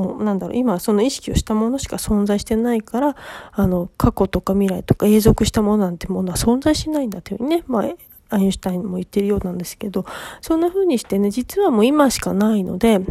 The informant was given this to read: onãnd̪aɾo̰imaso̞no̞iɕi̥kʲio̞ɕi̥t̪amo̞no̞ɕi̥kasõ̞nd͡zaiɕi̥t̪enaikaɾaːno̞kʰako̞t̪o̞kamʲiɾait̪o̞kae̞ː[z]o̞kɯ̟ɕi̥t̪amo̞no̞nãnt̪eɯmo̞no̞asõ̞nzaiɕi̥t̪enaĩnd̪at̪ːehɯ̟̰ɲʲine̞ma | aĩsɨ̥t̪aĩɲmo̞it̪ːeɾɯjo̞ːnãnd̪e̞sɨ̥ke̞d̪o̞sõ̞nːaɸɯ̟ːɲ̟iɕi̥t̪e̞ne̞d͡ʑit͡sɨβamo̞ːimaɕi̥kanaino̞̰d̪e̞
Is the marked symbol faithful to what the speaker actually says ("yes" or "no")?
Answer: yes